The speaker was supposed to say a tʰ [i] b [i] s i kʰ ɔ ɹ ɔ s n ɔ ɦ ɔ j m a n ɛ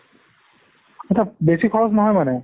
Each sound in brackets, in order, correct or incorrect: incorrect: a, incorrect: e

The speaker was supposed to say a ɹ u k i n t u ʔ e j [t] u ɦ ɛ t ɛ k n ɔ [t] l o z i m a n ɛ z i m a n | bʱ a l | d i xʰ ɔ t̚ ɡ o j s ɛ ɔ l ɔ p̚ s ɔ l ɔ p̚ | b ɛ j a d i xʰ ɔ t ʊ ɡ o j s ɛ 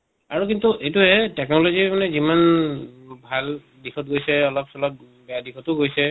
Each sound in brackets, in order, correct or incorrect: correct, incorrect: none

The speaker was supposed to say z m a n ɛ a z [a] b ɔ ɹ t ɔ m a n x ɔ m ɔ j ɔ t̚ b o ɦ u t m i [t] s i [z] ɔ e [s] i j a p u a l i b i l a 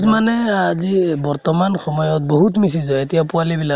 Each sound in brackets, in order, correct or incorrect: incorrect: i, incorrect: none, correct, incorrect: t

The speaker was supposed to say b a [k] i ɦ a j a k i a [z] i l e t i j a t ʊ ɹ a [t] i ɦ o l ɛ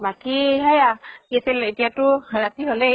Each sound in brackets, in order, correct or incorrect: correct, incorrect: s, correct

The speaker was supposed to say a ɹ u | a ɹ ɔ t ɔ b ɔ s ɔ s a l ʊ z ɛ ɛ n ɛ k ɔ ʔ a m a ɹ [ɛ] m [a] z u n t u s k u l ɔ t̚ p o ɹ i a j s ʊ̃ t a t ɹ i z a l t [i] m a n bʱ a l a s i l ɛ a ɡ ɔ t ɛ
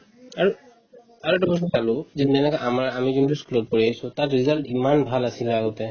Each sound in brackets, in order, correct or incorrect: incorrect: a, incorrect: i, correct

